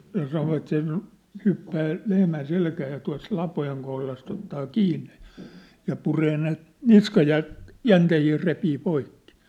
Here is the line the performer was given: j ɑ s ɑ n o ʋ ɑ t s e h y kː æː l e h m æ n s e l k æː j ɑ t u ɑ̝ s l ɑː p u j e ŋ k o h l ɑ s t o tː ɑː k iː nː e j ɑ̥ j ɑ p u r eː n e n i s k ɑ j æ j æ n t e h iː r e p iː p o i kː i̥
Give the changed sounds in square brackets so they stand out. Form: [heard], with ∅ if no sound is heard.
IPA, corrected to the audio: j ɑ s ɑ n o ʋ ɑ t s e h y [pː] æː l e h m æ n s e l k æː j ɑ t u ɑ̝ s l [ɑ] p [o] j e ŋ k o h l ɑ s t o tː ɑː k iː nː e j ɑ̥ j ɑ p u r eː n e n i s k ɑ j æ j æ n t e h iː r e p iː p o i kː i̥